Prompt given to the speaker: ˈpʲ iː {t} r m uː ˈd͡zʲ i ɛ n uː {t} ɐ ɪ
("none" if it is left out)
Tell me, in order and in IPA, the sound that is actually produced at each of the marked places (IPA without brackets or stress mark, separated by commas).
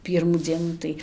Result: none, t